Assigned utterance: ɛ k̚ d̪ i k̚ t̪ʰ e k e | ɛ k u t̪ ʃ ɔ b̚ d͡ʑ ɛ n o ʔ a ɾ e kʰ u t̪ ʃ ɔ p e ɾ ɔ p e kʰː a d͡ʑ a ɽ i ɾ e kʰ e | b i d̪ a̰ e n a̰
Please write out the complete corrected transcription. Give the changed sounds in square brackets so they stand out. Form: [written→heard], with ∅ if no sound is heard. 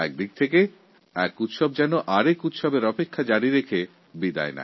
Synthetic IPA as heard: ɛ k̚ d̪ i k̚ t̪ʰ e k e | ɛ k u t̪ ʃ ɔ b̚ d͡ʑ ɛ n o ʔ a ɾ e [kʰ→k] u t̪ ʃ ɔ [p→b] e ɾ ɔ p e kʰː a d͡ʑ a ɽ i ɾ e kʰ e | b i d̪ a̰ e n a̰